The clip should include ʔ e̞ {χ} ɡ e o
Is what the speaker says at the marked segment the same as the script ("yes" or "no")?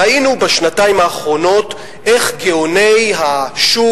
yes